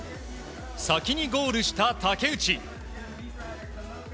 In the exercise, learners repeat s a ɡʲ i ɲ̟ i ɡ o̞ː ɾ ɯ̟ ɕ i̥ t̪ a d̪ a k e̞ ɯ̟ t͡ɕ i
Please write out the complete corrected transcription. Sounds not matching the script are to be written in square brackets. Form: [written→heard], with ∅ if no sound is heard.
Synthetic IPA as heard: s a [ɡʲ→kʲ] i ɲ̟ i ɡ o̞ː ɾ ɯ̟ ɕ i̥ t̪ a [d̪→t̪] a k e̞ ɯ̟ t͡ɕ i